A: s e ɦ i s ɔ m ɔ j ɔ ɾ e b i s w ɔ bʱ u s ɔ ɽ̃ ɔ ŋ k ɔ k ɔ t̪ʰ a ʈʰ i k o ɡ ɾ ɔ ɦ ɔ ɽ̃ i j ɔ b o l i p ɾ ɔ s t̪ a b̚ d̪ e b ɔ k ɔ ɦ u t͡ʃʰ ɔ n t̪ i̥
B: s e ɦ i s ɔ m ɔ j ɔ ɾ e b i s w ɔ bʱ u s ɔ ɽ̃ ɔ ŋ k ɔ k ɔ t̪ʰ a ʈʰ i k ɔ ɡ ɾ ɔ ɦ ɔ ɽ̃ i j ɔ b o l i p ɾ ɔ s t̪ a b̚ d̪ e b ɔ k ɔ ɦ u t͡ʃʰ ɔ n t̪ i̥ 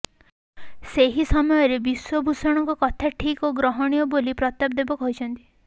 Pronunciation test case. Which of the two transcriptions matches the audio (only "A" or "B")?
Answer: A